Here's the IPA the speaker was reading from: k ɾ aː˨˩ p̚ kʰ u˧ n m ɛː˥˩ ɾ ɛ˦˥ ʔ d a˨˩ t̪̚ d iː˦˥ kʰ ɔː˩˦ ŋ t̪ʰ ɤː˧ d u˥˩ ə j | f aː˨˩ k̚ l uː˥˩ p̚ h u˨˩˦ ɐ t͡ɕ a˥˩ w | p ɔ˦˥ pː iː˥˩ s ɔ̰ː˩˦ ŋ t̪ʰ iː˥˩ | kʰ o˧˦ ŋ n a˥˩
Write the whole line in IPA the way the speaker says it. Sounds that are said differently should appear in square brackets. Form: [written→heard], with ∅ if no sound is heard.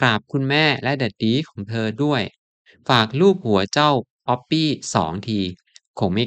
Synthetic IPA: k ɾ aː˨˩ p̚ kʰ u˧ n m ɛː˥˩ [ɾ→l] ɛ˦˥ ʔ d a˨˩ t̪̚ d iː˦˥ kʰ ɔː˩˦ ŋ t̪ʰ ɤː˧ d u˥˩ ə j | f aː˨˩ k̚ l uː˥˩ p̚ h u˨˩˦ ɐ t͡ɕ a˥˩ w | p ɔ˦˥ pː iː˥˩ s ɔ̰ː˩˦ ŋ t̪ʰ [iː˥˩→iː˧] | kʰ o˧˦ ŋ [n→m] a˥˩